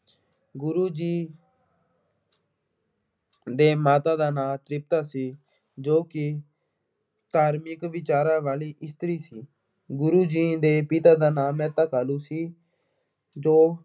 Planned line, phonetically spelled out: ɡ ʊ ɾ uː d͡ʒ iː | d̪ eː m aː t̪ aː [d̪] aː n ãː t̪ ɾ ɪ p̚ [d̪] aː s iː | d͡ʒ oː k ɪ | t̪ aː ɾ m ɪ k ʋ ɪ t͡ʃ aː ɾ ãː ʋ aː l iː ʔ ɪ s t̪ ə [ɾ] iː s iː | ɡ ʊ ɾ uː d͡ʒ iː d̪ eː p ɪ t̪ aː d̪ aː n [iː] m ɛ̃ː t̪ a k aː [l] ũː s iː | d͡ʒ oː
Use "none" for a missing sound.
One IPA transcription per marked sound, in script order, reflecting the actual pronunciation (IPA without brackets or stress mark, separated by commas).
d̪, t̪, ɾ, aː, l